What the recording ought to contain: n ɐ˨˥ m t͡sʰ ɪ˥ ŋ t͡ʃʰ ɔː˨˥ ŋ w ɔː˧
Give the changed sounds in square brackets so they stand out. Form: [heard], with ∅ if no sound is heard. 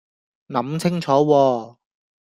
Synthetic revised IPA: n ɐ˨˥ m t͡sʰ ɪ˥ ŋ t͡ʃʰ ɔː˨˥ [∅] w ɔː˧